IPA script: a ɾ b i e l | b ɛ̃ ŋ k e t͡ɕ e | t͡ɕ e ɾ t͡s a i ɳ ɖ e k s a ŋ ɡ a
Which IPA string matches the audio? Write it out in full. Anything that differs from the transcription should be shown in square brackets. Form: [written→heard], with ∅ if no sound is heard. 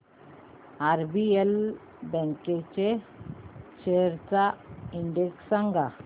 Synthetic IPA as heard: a ɾ b i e l | b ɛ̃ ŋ k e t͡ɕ e | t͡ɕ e ɾ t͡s a i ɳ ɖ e k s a ŋ ɡ a

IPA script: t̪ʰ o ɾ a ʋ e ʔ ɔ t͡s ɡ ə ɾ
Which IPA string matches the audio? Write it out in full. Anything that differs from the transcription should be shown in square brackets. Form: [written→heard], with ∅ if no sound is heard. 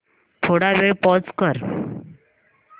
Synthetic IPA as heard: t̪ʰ o [ɾ→ɽ] a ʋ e [ʔ→p] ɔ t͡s [ɡ→k] ə ɾ

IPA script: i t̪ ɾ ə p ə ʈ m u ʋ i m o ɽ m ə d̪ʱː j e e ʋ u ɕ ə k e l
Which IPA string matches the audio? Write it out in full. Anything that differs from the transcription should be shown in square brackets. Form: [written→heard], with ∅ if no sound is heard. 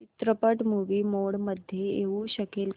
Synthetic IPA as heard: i t̪ ɾ ə p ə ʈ m u ʋ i m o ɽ m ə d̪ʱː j e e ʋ u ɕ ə k e l

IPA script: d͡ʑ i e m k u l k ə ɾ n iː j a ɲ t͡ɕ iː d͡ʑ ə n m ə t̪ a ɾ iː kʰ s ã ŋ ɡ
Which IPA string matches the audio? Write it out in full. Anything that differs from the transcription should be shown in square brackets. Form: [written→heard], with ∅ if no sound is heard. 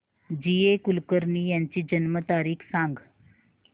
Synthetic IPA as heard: d͡ʑ i e [m→∅] k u l k ə ɾ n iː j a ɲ t͡ɕ iː d͡ʑ ə n m ə t̪ a ɾ iː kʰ s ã ŋ ɡ

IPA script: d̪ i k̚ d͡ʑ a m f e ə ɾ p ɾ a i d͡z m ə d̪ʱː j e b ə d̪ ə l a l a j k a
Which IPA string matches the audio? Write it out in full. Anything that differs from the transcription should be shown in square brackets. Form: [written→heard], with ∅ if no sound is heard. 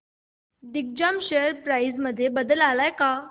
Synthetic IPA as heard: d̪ i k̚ d͡ʑ a m [f→ɕ] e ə ɾ p ɾ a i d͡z m ə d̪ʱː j e b ə d̪ ə l a l a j k a

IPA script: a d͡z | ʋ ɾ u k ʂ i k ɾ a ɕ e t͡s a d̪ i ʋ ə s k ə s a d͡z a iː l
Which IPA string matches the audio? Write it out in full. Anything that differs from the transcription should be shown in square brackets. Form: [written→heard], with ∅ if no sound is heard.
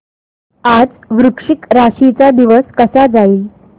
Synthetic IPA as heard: a d͡z | ʋ ɾ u k ʂ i k ɾ a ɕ [e→i] t͡s a d̪ i ʋ ə s k ə s a d͡z a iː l

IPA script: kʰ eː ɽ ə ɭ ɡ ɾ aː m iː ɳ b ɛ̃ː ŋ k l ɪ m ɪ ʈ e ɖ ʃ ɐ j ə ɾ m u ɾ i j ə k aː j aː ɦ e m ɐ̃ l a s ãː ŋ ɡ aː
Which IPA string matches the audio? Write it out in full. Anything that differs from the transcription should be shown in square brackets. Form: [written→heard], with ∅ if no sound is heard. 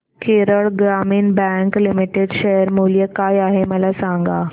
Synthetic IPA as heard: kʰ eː [ɽ→ɾ] ə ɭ ɡ ɾ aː m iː [ɳ→n] b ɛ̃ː ŋ k l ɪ m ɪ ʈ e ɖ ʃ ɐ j ə ɾ m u [ɾ→l] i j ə k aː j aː ɦ e m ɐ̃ l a s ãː ŋ ɡ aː

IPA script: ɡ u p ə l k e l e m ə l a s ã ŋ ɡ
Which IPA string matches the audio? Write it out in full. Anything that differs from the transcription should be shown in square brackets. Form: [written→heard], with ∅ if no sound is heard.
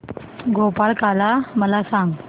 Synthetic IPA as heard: ɡ [u→o] p [ə→a] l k [e→a] l [e→a] m ə l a s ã ŋ ɡ

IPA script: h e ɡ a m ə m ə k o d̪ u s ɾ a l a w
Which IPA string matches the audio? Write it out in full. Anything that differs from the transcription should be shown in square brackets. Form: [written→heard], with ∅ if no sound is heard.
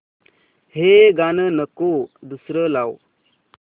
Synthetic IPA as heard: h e ɡ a [m→n] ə [m→n] ə k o d̪ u s ɾ [a→ə] l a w

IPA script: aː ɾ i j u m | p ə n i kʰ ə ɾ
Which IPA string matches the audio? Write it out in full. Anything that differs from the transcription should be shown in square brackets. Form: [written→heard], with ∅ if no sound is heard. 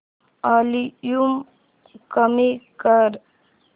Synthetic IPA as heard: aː [ɾ→l] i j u m | [p→k] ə [n→m] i [kʰ→k] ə ɾ

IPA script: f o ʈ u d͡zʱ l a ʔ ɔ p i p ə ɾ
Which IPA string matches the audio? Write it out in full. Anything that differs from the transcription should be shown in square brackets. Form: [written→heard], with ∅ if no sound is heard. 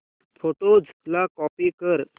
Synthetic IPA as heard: f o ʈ [u→o] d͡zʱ l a [ʔ→k] ɔ p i [p→k] ə ɾ

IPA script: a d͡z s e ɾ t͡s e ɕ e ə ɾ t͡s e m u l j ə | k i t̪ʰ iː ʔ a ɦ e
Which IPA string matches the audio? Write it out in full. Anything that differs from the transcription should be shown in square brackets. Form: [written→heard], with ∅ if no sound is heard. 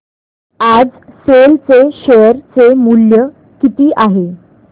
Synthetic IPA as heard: a d͡z s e [ɾ→l] t͡s e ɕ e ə ɾ t͡s e m u l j ə | k i [t̪ʰ→t̪] iː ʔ a ɦ e

